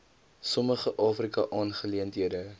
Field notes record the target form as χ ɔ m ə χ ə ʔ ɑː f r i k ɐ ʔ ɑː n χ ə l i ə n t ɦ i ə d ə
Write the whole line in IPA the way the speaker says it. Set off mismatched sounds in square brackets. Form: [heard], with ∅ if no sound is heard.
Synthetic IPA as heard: [s] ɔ m ə χ ə ʔ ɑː f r i k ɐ ʔ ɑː n χ ə l i ə n t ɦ i ə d ə